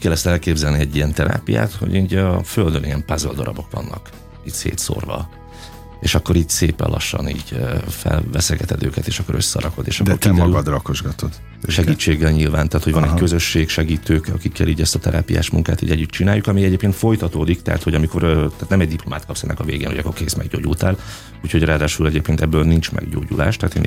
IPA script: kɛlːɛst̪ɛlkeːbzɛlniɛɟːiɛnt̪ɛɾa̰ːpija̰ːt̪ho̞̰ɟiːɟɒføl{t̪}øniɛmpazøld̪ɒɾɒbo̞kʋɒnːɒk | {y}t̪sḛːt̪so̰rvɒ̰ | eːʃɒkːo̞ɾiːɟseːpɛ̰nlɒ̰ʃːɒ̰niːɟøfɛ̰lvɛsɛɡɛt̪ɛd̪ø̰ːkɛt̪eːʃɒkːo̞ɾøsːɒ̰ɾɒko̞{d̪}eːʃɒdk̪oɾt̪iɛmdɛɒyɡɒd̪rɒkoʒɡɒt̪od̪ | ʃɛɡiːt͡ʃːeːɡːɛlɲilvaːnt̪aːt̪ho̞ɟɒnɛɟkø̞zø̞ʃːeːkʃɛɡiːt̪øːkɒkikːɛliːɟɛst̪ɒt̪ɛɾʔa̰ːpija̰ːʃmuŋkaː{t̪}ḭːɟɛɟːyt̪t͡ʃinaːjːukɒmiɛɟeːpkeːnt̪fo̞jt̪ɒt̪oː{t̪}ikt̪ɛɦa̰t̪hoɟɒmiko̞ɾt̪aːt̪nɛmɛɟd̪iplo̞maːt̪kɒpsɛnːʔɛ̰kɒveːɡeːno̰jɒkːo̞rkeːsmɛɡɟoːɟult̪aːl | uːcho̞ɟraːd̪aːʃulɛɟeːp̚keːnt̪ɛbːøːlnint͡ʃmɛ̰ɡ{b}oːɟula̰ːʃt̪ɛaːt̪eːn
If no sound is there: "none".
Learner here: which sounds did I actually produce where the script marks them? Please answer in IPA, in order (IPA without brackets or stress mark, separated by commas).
d̪, i, d̪, t̪, d̪, ɟ